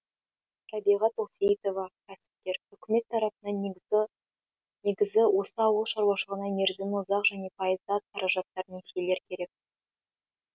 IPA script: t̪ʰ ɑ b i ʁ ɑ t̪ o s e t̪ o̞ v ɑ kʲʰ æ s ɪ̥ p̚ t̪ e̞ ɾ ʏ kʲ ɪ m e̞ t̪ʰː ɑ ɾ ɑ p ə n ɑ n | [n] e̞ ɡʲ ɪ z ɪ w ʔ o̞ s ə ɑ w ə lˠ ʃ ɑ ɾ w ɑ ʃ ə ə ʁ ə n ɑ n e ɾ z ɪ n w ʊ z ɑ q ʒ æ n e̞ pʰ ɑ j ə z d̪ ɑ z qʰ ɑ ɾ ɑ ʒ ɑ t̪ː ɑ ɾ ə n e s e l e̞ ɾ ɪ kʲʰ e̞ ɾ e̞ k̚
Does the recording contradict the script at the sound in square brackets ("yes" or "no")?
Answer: no